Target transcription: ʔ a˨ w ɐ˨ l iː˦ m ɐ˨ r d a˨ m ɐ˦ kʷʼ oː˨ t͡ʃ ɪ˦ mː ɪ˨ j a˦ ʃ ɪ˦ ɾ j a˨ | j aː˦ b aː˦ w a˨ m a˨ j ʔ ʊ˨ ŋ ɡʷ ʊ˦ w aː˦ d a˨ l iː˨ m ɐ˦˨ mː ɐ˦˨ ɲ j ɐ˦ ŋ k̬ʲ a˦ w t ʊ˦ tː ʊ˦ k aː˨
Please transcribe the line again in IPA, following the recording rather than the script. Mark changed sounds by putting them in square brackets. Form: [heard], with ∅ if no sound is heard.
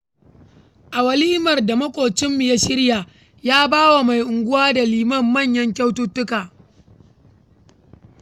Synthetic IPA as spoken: ʔ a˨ w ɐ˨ l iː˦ m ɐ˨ r d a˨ m ɐ˦ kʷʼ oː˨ t͡ʃ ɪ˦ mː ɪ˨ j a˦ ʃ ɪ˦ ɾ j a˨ | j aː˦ b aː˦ w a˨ m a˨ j ʔ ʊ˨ ŋ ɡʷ ʊ˦ w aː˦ d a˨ l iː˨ m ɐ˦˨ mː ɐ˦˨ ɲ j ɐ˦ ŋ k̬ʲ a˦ w t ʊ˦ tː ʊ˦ k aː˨